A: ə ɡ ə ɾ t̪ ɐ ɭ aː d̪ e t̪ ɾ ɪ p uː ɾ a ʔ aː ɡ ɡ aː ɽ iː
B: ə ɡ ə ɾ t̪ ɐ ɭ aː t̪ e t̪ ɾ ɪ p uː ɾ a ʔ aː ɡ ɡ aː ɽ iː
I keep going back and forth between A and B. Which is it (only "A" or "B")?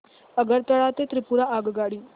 B